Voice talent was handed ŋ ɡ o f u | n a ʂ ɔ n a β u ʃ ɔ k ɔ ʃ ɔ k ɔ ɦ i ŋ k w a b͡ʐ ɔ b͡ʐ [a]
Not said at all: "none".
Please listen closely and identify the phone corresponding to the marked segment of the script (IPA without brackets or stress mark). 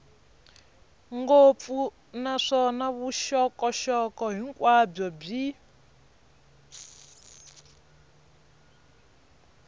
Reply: i